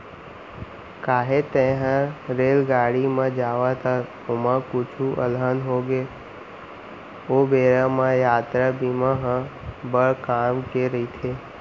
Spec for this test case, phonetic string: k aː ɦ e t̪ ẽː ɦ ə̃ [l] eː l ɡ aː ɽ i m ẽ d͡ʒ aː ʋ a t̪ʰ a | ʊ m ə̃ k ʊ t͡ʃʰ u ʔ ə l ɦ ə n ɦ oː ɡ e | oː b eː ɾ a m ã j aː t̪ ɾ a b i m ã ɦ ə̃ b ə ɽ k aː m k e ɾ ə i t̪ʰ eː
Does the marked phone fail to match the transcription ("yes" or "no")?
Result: yes